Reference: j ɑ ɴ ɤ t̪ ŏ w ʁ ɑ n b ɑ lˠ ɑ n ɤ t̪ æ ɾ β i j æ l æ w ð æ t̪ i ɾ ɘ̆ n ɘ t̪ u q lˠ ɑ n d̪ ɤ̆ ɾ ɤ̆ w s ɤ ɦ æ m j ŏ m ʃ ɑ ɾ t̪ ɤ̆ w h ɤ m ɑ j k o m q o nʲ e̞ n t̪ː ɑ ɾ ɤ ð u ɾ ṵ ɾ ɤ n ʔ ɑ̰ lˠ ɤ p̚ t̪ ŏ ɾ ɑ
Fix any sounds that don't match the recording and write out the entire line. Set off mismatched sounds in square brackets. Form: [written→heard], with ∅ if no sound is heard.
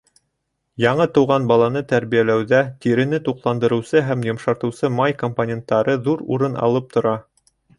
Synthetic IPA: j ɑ ɴ ɤ t̪ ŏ w ʁ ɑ n b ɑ lˠ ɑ n ɤ t̪ æ ɾ β i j æ l æ w ð æ t̪ i ɾ ɘ̆ n ɘ t̪ u q lˠ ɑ n d̪ ɤ̆ ɾ ɤ̆ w s ɤ ɦ æ m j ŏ m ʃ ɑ ɾ t̪ ɤ̆ w [h→s] ɤ m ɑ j k o m [q→p] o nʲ e̞ n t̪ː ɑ ɾ ɤ ð u ɾ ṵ ɾ ɤ n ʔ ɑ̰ lˠ ɤ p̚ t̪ ŏ ɾ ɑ